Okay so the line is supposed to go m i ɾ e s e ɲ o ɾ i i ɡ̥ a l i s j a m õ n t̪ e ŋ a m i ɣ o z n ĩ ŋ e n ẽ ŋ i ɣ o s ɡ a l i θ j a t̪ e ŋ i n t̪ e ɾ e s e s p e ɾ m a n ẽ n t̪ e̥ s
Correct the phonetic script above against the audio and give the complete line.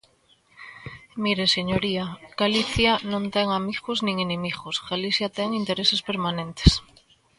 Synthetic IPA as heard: m i ɾ e s e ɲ o ɾ i a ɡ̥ a l i θ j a n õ n t̪ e ŋ a m i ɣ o z n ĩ ŋ e n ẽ m i ɣ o s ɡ a l i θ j a t̪ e ŋ i n t̪ e ɾ e s e s p e ɾ m a n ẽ n t̪ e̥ s